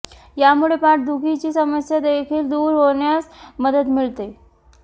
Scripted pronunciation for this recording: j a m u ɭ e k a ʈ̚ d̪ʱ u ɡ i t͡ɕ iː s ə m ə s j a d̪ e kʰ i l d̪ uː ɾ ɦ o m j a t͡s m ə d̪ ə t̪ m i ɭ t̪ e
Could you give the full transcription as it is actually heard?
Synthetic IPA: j a m u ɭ e p a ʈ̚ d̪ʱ u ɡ i t͡ɕ iː s ə m ə s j a d̪ e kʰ iː l d̪ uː ɾ ɦ o ɳ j a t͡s m ə d̪ ə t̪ m i ɭ t̪ e